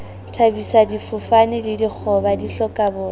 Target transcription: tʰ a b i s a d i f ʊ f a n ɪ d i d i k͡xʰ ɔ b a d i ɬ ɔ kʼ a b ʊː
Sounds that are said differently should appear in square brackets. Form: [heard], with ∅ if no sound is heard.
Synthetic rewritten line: tʰ a b i s a d i f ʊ f a n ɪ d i d i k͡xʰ ɔ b a d i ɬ ɔ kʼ a b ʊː